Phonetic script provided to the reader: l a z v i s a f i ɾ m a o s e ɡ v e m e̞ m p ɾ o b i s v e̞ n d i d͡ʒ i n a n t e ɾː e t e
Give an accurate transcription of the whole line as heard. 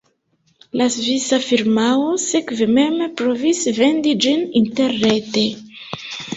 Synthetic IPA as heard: l a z v i s a f i ɾ m a o s e k v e m e̞ m p ɾ o v i s v e̞ n d i d͡ʒ i n i n t e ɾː e t e